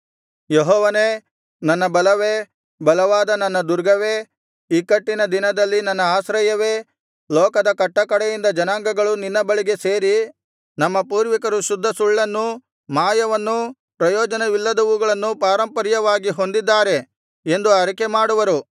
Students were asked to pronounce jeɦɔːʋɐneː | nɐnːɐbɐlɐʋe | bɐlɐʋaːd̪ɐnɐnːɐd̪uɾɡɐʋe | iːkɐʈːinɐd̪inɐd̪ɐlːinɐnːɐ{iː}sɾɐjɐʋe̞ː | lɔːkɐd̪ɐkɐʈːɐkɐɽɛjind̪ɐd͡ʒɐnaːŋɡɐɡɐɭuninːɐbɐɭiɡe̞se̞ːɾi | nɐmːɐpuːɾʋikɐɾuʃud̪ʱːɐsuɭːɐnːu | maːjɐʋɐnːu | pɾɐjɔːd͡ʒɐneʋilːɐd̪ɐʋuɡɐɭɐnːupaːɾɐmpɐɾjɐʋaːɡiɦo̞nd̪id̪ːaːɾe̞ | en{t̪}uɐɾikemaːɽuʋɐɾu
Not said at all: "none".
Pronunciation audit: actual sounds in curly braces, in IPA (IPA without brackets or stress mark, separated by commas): aː, d̪